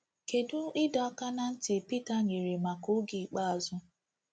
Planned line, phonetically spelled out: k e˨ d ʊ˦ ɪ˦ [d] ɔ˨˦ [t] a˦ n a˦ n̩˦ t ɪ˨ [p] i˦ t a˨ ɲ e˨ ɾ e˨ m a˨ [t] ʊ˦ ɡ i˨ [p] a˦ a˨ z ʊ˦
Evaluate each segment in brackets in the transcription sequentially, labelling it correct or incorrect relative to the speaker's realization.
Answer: correct, incorrect: k, correct, incorrect: k, incorrect: k͡p

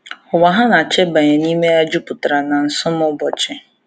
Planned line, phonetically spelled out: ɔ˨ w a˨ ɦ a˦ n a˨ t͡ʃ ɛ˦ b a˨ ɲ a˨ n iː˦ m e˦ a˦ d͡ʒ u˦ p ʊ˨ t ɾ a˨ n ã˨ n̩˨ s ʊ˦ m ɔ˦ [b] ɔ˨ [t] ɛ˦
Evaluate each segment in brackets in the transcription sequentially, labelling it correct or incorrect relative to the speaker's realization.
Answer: correct, incorrect: t͡ʃ

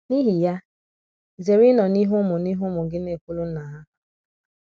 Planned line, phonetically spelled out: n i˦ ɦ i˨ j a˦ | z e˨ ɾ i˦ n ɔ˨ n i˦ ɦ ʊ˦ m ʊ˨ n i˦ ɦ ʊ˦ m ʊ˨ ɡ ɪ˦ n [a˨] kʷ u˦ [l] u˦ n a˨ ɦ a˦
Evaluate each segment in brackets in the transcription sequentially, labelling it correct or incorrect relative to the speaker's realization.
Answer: incorrect: e˨, correct

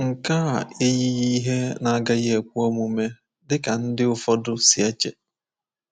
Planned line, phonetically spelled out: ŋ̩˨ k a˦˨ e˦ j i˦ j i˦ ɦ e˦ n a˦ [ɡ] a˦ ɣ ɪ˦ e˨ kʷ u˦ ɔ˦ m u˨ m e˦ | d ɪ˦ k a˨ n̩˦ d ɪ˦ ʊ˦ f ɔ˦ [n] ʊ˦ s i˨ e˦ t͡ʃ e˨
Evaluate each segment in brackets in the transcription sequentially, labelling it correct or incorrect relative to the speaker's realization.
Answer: correct, incorrect: d

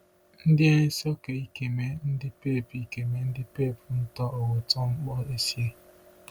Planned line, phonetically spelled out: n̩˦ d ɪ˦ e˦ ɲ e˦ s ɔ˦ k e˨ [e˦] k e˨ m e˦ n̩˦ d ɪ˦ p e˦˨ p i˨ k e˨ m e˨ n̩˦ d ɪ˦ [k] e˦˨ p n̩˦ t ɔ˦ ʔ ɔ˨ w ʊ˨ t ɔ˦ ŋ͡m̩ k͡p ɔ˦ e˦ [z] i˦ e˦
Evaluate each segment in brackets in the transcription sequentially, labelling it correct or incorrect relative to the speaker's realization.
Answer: incorrect: i˦, incorrect: p, incorrect: s

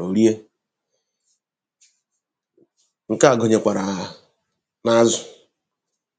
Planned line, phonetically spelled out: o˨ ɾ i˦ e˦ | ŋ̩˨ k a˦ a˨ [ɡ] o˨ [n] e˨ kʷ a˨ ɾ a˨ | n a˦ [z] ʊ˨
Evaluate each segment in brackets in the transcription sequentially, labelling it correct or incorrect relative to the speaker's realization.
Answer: correct, incorrect: ɲ, correct

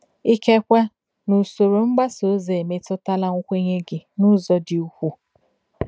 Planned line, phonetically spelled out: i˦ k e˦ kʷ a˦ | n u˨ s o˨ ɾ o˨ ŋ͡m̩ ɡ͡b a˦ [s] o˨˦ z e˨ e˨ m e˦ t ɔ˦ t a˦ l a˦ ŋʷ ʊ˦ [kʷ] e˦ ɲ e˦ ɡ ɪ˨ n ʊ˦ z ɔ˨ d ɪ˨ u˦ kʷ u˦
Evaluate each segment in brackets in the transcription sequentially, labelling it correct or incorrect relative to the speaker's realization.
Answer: correct, correct

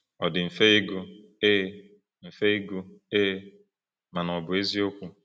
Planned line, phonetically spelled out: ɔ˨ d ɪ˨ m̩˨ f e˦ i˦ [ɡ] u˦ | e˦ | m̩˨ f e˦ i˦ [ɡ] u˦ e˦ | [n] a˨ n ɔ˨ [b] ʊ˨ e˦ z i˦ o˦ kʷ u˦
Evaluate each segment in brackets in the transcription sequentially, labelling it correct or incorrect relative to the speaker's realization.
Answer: correct, correct, incorrect: m, correct

